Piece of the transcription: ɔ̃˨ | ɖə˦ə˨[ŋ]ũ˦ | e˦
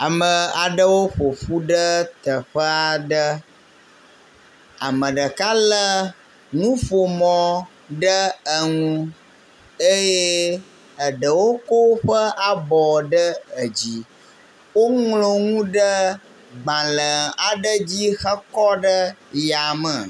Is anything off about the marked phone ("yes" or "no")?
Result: no